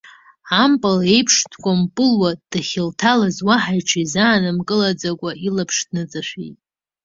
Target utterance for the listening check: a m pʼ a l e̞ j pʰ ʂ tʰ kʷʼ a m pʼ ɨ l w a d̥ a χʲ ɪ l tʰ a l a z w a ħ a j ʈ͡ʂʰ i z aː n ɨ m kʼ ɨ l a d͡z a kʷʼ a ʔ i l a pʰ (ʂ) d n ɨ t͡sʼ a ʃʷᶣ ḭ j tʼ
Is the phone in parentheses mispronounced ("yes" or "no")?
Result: no